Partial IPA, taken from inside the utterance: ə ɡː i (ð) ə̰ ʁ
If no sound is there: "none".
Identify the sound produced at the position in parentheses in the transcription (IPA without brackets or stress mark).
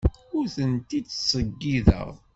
ð